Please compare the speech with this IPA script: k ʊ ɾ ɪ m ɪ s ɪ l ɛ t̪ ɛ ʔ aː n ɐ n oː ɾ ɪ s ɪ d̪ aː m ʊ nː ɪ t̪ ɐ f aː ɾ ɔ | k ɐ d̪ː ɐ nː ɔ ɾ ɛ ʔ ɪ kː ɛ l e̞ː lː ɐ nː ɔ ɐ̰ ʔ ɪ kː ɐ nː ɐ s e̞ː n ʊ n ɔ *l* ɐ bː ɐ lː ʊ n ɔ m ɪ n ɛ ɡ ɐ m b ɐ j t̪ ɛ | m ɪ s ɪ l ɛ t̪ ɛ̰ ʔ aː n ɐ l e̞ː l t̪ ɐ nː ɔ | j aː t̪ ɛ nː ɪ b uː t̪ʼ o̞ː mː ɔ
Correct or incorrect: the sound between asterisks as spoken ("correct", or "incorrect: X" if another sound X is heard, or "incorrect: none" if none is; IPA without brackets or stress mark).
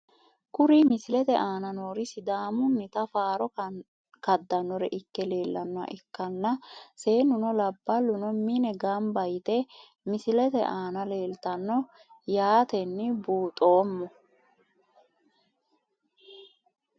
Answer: correct